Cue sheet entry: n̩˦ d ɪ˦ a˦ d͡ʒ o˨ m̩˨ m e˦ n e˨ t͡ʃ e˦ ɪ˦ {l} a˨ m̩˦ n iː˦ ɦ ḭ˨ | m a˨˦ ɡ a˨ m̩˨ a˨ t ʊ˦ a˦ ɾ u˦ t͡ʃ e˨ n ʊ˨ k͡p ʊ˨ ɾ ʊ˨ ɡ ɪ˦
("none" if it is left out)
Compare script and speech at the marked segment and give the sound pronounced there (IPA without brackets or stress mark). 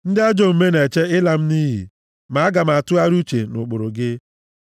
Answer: l